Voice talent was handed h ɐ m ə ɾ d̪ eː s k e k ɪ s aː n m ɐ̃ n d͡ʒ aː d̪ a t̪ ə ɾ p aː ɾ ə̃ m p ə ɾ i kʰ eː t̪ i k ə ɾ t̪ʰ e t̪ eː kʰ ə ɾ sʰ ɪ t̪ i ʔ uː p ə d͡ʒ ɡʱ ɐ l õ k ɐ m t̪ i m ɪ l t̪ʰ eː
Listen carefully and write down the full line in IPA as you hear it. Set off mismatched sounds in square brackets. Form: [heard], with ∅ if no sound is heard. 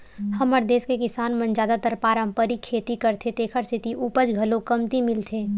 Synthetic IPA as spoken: h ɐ m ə ɾ d̪ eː s k e k ɪ s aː n m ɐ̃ n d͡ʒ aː d̪ a t̪ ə ɾ p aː ɾ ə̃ m p ə ɾ i kʰ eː t̪ i k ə ɾ t̪ʰ e t̪ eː kʰ ə ɾ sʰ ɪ t̪ i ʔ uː p ə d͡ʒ ɡʱ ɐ l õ k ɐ m t̪ i m ɪ l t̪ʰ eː